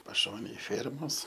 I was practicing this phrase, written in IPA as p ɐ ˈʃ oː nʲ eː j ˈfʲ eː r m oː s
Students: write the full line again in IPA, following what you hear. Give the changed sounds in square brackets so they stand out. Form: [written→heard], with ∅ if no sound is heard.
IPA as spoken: p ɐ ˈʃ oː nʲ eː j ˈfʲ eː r m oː s